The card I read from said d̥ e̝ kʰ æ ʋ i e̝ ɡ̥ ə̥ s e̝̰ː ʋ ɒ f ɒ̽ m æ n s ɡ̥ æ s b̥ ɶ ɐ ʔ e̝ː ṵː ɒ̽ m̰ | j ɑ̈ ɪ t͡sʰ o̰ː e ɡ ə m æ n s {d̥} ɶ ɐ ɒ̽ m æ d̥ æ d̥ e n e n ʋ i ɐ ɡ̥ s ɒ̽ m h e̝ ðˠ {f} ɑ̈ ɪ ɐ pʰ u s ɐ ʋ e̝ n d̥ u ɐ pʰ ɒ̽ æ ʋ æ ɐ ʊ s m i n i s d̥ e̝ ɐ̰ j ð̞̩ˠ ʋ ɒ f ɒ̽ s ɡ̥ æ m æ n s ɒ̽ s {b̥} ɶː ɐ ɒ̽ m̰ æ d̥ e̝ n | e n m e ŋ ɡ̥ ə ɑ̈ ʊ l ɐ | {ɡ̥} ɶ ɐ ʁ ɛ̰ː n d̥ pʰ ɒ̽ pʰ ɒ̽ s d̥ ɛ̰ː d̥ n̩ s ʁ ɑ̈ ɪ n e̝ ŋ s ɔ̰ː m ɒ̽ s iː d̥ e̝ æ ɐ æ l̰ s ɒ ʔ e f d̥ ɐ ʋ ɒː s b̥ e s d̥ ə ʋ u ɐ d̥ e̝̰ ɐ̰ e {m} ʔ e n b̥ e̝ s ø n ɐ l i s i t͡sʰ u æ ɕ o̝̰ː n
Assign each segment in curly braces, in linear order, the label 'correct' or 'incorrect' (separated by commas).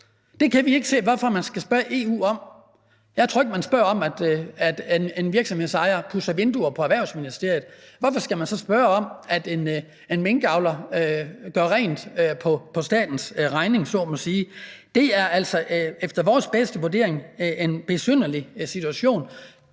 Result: incorrect, incorrect, correct, correct, incorrect